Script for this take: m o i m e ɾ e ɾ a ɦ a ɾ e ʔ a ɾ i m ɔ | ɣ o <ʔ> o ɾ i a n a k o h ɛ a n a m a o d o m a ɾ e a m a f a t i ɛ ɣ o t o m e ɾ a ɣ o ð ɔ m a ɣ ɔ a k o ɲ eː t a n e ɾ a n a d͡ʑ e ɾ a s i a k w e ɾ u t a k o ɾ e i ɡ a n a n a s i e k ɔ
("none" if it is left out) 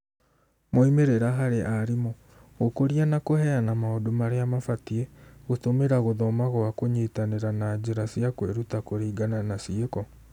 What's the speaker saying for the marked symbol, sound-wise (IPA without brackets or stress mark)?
k